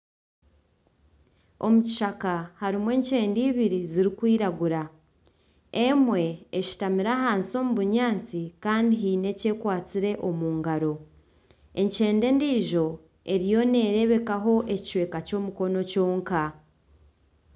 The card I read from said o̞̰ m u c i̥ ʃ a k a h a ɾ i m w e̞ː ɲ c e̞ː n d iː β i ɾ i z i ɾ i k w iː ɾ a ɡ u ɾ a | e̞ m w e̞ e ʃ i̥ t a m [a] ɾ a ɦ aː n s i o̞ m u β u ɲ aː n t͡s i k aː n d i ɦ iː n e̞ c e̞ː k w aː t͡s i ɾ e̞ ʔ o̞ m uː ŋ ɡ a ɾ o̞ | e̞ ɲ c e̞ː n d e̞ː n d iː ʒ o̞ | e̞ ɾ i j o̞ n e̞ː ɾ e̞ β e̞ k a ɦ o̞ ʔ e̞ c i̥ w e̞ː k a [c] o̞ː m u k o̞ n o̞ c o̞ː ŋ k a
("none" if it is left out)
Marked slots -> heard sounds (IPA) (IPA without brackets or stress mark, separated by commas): i, c